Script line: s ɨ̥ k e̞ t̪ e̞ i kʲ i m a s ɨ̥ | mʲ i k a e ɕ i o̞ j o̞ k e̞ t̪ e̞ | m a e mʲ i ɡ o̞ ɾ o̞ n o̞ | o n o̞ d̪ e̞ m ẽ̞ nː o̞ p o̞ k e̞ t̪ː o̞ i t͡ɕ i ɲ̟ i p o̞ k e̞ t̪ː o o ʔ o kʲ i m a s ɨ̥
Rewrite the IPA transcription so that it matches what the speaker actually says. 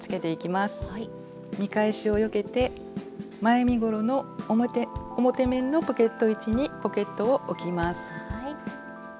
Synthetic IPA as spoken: t͡s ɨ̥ k e̞ t̪ e̞ i kʲ i m a s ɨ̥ | mʲ i k a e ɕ i o̞ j o̞ k e̞ t̪ e̞ | m a e mʲ i ɡ o̞ ɾ o̞ n o̞ | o m o̞ t̪ e̞ m ẽ̞ nː o̞ p o̞ k e̞ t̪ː o̞ i t͡ɕ i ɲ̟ i p o̞ k e̞ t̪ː o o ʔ o kʲ i m a s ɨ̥